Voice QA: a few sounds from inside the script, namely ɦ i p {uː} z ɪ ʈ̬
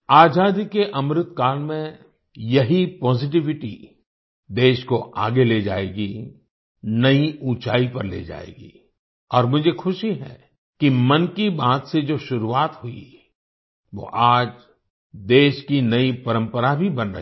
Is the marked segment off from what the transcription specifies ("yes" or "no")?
yes